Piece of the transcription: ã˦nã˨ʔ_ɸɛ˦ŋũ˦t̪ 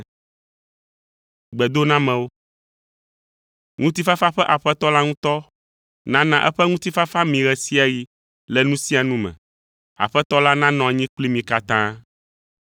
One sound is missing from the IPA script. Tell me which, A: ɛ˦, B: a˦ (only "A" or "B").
A